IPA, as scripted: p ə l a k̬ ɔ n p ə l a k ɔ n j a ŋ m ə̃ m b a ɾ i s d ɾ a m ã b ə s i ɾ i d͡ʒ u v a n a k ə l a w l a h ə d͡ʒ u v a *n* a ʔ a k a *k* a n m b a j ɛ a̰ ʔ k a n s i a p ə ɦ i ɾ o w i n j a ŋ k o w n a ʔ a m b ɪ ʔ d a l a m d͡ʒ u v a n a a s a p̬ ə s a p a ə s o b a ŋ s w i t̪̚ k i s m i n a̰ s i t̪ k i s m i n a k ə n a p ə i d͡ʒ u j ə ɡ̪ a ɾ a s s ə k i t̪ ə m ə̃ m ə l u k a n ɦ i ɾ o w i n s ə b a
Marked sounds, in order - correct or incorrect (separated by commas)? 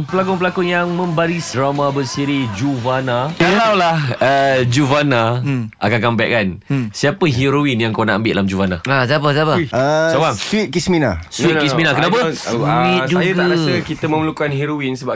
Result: correct, correct